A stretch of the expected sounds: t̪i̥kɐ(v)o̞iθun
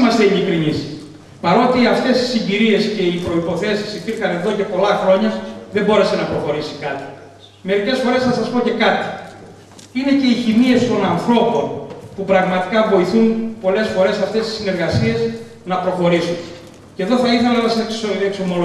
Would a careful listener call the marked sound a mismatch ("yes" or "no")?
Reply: no